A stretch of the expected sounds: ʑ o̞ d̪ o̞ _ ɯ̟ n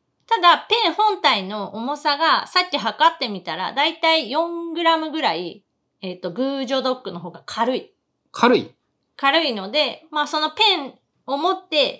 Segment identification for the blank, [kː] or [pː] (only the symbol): kː